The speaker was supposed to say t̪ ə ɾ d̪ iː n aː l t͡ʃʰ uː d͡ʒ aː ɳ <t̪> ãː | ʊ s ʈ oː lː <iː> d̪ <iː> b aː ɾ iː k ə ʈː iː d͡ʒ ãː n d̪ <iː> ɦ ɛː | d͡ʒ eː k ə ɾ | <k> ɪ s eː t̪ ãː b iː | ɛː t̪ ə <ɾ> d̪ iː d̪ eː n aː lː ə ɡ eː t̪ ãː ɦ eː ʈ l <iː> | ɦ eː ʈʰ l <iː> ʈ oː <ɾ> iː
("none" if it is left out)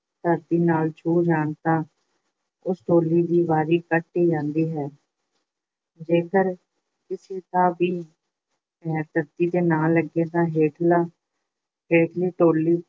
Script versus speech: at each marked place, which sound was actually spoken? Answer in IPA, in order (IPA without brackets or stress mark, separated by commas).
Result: t̪, iː, iː, iː, k, ɾ, aː, iː, l